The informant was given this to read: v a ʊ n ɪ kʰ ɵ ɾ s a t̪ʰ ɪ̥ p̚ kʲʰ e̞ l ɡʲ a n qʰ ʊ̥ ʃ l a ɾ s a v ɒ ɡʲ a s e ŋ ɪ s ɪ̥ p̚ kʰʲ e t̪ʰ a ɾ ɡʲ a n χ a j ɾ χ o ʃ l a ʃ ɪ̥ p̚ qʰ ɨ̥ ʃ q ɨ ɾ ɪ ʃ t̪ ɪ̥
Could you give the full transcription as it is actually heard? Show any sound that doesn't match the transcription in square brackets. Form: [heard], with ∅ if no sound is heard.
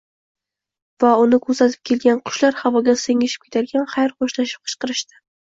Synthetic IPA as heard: v a ʊ n ɪ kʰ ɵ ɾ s a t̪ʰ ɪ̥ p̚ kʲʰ e̞ l ɡʲ a n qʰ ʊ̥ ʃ l a ɾ [h] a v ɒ ɡʲ a s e ŋ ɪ [ʃ] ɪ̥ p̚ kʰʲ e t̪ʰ a ɾ ɡʲ a n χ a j ɾ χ o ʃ l a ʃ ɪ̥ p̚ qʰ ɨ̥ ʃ q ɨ ɾ ɪ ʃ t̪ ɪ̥